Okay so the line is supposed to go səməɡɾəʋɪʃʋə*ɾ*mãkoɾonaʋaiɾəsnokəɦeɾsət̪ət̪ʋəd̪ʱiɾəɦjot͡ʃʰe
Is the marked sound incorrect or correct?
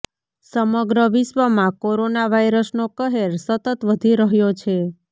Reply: incorrect